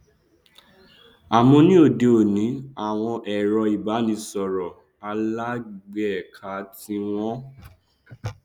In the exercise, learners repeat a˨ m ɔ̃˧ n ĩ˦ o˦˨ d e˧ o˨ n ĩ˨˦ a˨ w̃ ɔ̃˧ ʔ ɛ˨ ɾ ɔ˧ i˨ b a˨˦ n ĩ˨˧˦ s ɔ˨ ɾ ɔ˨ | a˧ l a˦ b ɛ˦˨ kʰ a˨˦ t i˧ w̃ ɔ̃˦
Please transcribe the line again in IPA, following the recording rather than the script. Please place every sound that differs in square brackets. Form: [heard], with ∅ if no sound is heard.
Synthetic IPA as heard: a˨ m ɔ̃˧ n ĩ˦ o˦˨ d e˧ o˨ n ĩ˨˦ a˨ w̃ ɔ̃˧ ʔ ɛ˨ ɾ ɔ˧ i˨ b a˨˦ n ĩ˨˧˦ s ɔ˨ ɾ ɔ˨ | a˧ l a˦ [ɡ͡b] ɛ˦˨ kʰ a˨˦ t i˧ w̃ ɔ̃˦